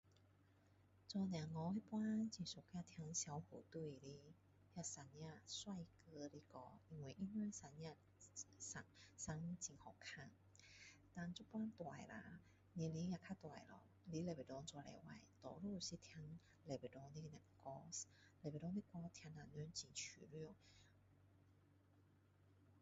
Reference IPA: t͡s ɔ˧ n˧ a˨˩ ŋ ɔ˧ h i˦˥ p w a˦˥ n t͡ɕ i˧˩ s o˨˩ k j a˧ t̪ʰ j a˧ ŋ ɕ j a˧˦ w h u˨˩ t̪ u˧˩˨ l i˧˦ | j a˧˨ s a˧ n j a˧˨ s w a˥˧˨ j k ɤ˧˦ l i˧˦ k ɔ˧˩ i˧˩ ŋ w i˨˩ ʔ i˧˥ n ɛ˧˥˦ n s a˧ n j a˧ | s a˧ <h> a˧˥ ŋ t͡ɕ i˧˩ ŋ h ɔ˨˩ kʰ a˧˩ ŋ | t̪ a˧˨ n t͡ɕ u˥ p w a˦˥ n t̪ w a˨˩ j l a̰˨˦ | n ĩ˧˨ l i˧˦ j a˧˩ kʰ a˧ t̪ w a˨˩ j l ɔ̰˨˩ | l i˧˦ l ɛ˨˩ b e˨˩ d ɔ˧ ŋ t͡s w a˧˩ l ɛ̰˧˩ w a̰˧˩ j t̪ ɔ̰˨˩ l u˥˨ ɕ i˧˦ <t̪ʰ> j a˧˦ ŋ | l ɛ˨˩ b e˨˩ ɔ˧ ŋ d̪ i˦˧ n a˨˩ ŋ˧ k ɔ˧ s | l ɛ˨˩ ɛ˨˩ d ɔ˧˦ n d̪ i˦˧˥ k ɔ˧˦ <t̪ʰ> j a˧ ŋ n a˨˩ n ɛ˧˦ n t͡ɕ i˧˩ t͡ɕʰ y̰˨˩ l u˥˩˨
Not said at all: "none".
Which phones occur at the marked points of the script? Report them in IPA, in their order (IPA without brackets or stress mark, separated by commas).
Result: s, t̪ʰ, t̪ʰ